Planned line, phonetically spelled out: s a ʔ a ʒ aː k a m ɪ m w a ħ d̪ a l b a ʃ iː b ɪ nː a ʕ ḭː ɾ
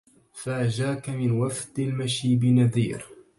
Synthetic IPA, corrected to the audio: f a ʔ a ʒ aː k a m ɪ n w a f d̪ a l m a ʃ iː b ɪ n a ð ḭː ɾ